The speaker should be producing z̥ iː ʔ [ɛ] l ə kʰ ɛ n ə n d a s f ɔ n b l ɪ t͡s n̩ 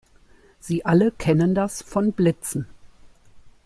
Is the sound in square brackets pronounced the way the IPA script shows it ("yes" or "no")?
no